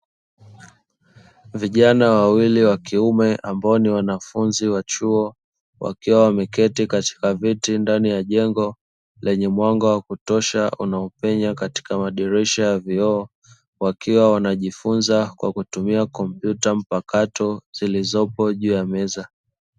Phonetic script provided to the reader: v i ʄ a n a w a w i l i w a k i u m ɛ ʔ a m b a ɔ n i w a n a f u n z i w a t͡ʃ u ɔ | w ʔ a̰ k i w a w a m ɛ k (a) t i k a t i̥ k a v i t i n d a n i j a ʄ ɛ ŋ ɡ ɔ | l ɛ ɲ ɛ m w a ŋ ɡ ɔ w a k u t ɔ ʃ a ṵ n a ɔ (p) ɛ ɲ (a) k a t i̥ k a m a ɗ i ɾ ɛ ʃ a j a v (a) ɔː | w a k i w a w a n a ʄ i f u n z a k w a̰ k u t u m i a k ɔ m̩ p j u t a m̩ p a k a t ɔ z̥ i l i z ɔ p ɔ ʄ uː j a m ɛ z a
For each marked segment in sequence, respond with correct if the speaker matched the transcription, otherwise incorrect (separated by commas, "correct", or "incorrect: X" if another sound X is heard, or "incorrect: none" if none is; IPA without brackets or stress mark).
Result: incorrect: ɛ, correct, correct, incorrect: i